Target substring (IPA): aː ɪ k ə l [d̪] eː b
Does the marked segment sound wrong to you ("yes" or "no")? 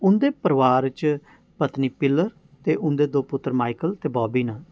yes